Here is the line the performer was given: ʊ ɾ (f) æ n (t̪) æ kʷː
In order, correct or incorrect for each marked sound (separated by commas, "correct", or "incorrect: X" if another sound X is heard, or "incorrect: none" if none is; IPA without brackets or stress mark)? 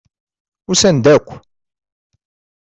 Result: incorrect: s, incorrect: d̪